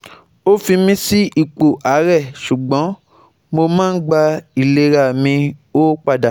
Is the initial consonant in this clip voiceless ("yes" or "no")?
yes